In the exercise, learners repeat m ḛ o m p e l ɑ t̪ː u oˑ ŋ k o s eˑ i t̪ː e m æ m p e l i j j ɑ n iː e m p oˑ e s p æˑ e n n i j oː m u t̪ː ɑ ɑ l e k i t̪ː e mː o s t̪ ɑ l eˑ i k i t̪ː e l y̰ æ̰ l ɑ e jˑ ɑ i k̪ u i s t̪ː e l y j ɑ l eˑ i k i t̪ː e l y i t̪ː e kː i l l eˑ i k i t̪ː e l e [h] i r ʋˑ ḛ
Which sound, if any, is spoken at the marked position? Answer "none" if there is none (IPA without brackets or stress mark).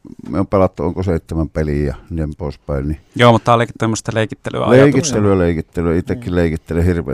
h